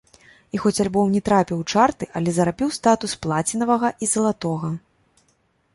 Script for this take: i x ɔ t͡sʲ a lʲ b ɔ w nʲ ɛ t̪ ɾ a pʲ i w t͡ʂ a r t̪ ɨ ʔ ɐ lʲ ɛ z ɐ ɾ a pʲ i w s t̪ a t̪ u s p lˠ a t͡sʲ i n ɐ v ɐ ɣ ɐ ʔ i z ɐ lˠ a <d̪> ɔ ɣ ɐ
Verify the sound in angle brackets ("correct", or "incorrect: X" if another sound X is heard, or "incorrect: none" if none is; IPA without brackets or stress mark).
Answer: incorrect: t̪